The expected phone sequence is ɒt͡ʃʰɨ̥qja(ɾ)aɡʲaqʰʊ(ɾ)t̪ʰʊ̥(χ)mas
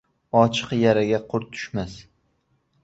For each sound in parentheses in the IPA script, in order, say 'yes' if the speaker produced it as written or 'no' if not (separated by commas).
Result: yes, yes, no